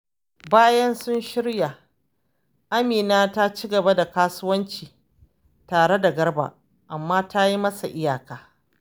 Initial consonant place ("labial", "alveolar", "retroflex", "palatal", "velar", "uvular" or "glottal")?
labial